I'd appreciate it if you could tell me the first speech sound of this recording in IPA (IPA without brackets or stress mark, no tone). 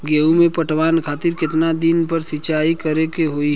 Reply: ɡ